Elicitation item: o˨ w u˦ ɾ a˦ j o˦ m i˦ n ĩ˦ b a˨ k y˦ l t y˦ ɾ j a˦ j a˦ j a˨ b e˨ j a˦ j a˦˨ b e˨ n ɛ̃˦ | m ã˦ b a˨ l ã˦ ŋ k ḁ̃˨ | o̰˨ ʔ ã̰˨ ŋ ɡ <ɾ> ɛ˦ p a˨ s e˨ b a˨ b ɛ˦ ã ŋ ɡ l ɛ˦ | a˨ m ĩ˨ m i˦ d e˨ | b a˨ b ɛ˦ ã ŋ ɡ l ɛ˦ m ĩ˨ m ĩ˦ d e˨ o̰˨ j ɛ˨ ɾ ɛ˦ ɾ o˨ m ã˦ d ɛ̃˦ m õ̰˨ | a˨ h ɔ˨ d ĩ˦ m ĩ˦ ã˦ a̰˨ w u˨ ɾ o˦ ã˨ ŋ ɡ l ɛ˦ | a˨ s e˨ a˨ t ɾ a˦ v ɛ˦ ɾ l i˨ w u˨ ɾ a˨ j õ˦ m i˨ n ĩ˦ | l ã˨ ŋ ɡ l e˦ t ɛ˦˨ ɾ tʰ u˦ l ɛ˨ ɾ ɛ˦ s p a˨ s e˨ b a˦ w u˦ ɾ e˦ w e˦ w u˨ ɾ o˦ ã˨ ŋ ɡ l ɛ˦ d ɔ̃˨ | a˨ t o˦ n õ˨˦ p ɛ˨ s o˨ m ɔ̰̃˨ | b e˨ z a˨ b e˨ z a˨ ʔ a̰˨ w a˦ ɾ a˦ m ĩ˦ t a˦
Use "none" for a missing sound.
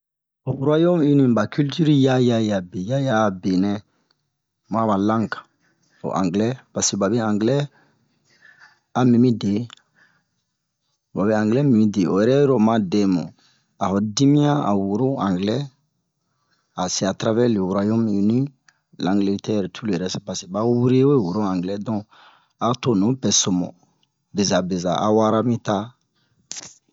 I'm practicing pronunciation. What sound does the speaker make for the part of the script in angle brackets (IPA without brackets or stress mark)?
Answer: l